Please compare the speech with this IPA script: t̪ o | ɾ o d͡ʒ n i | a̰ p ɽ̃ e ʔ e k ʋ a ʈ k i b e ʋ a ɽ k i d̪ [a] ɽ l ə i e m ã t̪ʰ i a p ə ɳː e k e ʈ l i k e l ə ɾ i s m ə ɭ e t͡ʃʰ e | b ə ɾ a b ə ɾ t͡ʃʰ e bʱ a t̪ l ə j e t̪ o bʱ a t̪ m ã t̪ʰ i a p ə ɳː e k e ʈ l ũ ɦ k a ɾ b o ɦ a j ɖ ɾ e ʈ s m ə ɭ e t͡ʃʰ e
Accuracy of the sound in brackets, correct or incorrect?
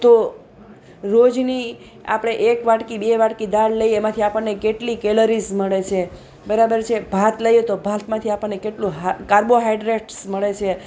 correct